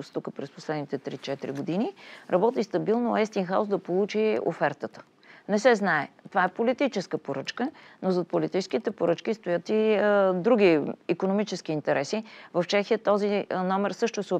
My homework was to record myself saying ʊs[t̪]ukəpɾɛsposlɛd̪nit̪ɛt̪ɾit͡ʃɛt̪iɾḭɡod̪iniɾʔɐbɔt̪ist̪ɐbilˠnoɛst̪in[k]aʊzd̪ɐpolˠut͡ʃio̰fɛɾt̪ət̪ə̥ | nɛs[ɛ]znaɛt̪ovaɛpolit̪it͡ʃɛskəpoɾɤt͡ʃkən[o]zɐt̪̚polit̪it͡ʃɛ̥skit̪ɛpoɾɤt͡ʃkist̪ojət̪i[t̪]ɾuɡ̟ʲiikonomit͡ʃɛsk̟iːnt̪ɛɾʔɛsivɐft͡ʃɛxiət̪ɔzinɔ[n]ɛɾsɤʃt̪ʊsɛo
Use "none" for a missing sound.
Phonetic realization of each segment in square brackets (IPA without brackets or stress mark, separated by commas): t̪, x, ɛ, o, d̪, m